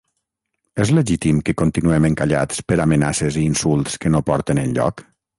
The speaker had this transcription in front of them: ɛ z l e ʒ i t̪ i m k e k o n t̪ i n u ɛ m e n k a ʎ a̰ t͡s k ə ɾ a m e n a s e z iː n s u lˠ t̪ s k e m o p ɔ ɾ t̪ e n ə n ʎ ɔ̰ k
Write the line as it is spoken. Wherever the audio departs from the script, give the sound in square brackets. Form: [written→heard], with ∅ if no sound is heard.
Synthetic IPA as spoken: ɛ z l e ʒ i t̪ i m k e k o n t̪ i n u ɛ m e [n→ŋ] k a ʎ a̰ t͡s [k→p] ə ɾ a m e n a s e z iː n s u lˠ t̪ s k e [m→n] o p ɔ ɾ t̪ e n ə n ʎ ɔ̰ k